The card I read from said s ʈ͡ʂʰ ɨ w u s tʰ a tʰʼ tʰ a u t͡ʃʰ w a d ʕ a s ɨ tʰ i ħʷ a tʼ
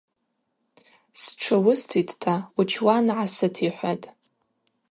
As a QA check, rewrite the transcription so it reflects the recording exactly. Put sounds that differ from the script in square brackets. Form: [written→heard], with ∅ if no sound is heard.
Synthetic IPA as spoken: s ʈ͡ʂʰ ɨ w [u→ʊ] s tʰ [a→i] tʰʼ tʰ a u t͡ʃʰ w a [d→n] ʕ a s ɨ tʰ i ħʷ a tʼ